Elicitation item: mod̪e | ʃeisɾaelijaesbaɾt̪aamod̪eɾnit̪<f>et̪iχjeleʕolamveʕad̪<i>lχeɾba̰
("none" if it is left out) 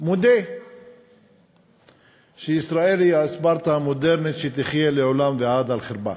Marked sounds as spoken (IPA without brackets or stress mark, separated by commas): ʃ, a